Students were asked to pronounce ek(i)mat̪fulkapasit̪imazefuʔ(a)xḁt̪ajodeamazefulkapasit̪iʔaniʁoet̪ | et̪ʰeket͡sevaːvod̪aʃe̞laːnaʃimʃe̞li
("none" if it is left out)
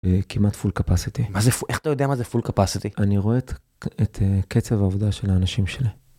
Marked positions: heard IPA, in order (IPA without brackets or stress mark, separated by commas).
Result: i, e